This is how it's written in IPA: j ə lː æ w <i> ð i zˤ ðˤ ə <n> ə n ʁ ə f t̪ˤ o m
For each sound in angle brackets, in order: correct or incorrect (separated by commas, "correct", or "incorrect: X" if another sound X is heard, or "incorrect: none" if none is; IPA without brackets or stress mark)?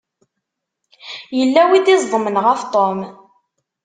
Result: correct, incorrect: m